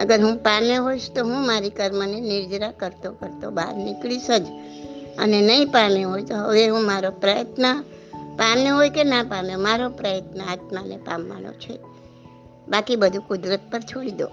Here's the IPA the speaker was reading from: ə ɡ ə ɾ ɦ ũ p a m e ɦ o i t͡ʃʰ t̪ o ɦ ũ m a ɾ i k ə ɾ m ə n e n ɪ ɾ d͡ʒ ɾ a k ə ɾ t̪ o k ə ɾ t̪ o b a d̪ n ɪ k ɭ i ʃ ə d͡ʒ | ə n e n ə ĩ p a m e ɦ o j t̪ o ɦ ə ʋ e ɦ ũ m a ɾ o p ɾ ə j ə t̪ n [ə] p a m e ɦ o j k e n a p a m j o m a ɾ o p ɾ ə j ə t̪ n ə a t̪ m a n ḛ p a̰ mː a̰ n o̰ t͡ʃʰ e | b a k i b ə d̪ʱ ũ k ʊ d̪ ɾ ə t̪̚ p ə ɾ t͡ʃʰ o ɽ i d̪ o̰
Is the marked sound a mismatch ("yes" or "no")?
no